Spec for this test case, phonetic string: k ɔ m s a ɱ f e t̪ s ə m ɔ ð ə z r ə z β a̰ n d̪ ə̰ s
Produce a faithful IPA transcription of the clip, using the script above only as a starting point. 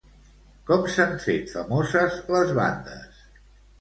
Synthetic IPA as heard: k ɔ m s a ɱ f e t̪ f ə m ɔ z ə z l ə z β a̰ n d̪ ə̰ s